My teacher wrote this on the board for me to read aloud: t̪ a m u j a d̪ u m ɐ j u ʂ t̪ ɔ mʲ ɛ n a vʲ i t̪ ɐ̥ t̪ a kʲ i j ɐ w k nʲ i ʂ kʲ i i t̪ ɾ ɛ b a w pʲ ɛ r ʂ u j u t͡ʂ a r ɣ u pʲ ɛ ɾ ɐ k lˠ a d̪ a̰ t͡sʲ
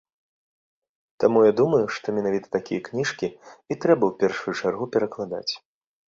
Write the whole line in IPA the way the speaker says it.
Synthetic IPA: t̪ a m u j a d̪ u m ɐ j u ʂ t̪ ɔ mʲ ɛ n a vʲ i t̪ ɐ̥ t̪ a kʲ i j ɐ k nʲ i ʂ kʲ i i t̪ ɾ ɛ b ɐ w pʲ ɛ r ʂ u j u t͡ʂ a r ɣ u pʲ ɛ ɾ ɐ k lˠ a d̪ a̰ t͡sʲ